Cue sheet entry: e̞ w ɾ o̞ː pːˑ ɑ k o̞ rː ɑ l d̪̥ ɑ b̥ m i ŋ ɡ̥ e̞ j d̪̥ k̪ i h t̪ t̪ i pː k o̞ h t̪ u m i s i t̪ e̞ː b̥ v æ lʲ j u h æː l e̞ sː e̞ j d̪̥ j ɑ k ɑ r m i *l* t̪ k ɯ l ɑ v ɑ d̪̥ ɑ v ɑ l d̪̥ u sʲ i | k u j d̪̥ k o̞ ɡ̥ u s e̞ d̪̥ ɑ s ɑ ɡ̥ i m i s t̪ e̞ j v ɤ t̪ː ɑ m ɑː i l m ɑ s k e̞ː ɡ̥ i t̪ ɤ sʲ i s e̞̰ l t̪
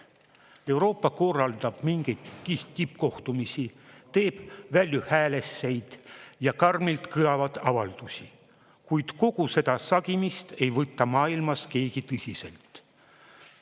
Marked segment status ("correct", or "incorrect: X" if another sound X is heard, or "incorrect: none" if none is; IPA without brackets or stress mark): correct